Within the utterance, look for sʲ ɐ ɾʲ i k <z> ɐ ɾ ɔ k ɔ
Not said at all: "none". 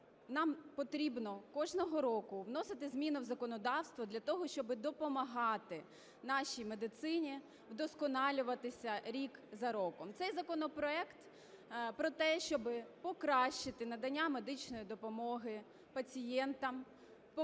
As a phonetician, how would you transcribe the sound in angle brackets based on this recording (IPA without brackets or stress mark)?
z